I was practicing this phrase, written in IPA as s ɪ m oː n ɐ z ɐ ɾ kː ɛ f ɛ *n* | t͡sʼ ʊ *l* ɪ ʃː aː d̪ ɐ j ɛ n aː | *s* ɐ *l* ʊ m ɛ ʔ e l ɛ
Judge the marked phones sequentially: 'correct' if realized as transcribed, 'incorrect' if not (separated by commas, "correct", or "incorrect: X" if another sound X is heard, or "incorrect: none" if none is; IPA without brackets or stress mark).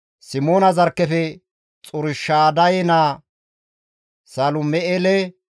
incorrect: none, incorrect: ɾ, correct, correct